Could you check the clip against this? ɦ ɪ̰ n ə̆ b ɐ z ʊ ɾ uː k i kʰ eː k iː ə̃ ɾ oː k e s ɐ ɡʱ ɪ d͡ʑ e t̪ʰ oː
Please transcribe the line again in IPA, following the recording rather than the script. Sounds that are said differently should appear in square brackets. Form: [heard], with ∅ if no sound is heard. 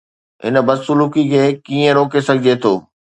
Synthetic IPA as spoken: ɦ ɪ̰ n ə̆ b ɐ [s] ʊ [l] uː k i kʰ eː k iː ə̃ ɾ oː k e s ɐ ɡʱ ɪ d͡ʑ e t̪ʰ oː